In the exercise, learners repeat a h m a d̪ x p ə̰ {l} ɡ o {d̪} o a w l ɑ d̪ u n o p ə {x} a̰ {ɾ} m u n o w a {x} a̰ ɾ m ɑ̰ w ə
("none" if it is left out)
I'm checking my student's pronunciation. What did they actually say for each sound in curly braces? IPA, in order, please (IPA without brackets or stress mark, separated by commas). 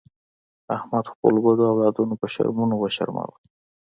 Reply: l, d̪, ʃ, ɾ, ʃ